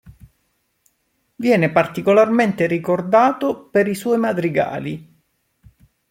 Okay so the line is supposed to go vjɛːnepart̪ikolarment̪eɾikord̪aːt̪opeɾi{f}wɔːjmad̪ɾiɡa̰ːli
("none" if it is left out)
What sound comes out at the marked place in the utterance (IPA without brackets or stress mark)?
s